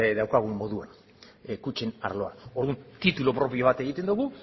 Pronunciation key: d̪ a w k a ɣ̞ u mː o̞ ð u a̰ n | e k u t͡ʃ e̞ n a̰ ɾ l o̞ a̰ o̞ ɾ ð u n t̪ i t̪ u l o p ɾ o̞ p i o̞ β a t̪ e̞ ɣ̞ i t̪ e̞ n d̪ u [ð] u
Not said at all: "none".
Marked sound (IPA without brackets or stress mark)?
ɣ